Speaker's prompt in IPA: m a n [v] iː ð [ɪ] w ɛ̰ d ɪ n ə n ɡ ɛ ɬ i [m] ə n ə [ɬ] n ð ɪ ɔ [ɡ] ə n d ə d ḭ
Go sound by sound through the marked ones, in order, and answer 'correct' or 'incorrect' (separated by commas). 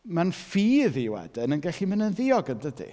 incorrect, incorrect, correct, incorrect, correct